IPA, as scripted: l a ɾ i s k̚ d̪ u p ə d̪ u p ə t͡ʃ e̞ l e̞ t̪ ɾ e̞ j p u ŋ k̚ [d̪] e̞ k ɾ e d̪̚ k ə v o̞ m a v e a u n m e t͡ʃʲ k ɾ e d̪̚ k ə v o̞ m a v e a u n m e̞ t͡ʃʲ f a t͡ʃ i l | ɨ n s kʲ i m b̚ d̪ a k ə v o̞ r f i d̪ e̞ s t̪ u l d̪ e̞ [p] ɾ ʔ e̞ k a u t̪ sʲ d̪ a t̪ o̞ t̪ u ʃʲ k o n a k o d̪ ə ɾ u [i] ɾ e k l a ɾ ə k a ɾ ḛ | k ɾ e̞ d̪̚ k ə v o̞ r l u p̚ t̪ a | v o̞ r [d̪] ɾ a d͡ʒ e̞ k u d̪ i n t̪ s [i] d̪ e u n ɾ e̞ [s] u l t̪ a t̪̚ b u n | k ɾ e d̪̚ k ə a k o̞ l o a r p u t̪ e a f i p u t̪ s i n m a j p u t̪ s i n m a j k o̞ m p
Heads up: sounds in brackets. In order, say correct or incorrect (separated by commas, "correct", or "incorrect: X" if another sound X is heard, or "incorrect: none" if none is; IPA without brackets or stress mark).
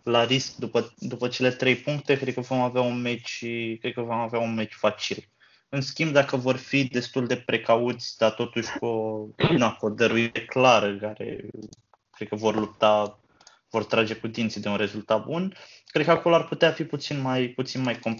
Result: incorrect: t̪, correct, correct, incorrect: t̪, correct, incorrect: z